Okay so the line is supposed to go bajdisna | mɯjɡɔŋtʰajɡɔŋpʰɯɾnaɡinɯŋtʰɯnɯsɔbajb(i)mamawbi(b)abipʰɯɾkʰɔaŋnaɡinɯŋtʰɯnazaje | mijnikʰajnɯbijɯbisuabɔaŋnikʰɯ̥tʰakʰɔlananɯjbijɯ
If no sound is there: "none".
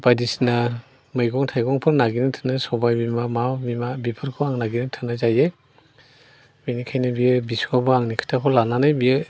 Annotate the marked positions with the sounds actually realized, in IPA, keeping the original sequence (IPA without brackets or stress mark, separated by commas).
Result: i, m